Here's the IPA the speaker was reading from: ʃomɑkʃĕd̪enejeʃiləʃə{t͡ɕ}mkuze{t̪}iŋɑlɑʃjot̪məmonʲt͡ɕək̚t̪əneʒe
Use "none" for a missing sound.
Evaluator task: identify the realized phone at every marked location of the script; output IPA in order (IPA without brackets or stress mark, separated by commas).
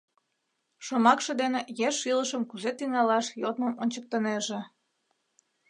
none, t̪